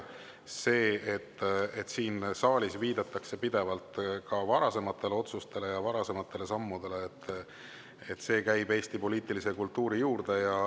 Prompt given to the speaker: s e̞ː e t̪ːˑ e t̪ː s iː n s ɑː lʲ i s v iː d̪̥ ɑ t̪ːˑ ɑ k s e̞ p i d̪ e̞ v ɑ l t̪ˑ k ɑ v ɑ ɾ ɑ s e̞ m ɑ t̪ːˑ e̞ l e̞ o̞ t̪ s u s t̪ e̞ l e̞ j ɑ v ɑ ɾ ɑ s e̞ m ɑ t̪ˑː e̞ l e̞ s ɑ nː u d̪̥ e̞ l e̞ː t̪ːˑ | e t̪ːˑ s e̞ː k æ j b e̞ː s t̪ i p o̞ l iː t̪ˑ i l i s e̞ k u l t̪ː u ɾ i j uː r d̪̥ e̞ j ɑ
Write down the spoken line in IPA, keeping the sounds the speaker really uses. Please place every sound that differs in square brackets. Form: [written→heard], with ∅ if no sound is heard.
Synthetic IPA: s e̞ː e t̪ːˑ e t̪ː s iː n s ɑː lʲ i s v iː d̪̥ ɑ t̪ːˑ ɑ k s e̞ p i d̪ e̞ v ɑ l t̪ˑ k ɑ v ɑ ɾ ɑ s e̞ m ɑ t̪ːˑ e̞ l e̞ o̞ t̪ s u s t̪ e̞ l e̞ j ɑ v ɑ ɾ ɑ s e̞ m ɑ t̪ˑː e̞ l e̞ s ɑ [nː→mː] u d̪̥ e̞ l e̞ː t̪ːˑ | e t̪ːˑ s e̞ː k æ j b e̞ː s t̪ i p o̞ l iː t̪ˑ i l i s e̞ k u l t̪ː [u→uː] ɾ i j uː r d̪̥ e̞ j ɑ